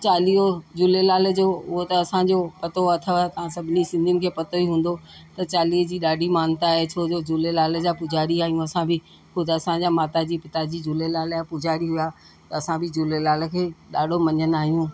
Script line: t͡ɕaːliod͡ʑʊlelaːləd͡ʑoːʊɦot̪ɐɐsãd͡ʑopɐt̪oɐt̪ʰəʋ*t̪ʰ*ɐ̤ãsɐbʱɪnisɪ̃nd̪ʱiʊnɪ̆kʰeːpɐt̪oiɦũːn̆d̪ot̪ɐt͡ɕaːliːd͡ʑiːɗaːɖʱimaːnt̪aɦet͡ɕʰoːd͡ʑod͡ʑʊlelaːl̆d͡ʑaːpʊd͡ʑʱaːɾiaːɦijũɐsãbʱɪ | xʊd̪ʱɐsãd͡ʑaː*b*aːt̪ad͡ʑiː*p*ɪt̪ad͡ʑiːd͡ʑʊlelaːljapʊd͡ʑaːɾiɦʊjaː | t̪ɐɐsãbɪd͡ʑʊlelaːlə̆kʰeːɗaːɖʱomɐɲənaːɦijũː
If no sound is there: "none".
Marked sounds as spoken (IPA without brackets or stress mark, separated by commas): t̪, m, p